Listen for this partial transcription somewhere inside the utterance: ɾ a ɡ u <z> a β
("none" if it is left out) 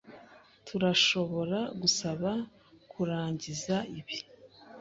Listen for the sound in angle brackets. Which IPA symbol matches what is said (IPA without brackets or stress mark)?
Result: s